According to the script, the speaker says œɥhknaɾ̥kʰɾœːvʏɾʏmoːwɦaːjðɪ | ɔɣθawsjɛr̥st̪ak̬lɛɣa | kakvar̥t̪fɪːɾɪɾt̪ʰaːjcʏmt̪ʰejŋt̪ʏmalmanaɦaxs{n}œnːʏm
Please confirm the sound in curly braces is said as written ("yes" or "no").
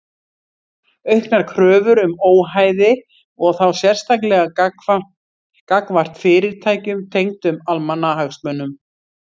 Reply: no